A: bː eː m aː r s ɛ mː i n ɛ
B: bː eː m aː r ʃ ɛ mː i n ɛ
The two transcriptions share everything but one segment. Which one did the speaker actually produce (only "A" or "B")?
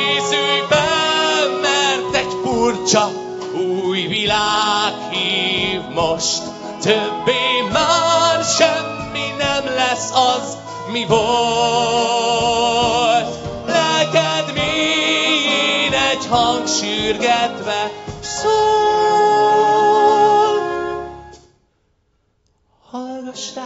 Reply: B